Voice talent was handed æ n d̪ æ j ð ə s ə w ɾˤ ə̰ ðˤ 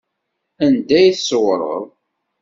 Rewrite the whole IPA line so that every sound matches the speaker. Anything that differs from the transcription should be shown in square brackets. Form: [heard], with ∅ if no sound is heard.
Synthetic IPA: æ n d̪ æ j [θ] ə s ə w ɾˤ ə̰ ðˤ